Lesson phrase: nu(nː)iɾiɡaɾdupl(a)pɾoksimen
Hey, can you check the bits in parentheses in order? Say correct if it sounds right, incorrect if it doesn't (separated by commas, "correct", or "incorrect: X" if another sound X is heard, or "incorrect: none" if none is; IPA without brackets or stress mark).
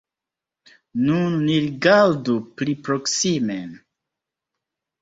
correct, incorrect: i